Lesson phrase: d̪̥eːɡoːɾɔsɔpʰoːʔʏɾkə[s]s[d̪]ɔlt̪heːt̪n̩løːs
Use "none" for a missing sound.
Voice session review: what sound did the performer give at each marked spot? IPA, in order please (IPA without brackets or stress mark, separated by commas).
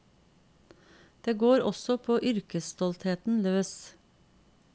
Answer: s, t̪